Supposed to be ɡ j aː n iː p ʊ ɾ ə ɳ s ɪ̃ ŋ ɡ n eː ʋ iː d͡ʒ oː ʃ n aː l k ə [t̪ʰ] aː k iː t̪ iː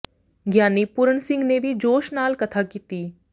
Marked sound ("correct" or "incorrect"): correct